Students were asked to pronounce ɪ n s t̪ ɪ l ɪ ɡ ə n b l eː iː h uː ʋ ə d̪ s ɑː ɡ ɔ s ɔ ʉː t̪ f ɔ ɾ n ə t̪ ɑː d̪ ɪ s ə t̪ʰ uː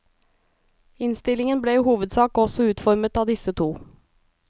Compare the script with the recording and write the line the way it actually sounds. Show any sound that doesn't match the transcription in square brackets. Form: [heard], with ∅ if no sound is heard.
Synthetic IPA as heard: ɪ n s t̪ ɪ l ɪ [ŋ] ə n b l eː iː h uː ʋ ə d̪ s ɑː [k] ɔ s ɔ ʉː t̪ f ɔ ɾ [m] ə t̪ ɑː d̪ ɪ s ə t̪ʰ uː